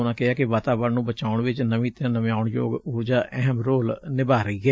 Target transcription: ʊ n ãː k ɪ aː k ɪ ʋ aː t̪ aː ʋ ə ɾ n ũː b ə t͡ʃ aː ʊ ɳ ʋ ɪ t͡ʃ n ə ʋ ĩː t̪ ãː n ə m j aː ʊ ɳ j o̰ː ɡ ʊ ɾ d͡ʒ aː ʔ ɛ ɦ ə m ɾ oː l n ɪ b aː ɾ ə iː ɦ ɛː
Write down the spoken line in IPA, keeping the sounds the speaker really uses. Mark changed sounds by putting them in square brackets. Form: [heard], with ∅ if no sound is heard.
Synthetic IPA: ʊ n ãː k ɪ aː k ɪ ʋ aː t̪ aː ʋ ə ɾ n ũː b ə t͡ʃ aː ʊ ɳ ʋ ɪ t͡ʃ n ə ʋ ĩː t̪ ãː n ə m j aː ʊ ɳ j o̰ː ɡ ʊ ɾ d͡ʒ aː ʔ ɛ ɦ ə m ɾ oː l n ɪ b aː ɾ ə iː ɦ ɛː